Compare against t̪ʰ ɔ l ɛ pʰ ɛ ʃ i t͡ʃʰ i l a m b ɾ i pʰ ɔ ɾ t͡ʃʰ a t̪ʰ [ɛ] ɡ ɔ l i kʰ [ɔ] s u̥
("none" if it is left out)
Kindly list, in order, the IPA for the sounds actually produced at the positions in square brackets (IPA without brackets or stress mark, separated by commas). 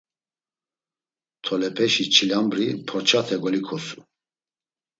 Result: ɛ, ɔ